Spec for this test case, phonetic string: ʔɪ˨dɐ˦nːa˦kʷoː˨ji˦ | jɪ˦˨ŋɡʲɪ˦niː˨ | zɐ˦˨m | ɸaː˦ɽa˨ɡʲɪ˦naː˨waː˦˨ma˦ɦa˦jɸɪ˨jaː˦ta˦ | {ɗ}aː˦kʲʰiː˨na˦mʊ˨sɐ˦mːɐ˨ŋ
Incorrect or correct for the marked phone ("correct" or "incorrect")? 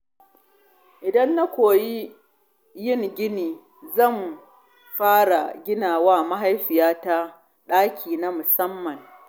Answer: correct